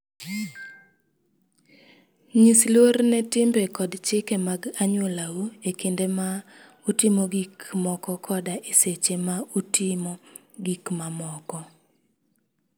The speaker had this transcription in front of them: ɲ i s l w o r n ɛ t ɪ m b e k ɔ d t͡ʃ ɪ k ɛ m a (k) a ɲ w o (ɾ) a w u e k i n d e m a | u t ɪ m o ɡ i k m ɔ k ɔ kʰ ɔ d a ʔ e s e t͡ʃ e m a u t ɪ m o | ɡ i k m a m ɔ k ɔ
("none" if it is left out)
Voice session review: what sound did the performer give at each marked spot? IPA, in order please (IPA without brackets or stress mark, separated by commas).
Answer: ɡ, l